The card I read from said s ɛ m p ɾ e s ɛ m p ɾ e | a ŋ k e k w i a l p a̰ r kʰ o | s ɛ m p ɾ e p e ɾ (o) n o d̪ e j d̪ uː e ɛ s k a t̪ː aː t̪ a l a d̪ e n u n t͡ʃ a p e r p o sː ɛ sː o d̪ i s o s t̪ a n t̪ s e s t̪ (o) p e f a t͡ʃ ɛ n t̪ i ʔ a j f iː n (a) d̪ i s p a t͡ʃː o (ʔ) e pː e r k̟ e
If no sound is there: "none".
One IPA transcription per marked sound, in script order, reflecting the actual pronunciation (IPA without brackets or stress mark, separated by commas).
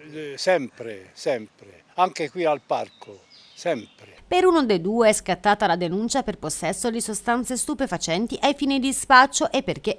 u, u, i, ʔ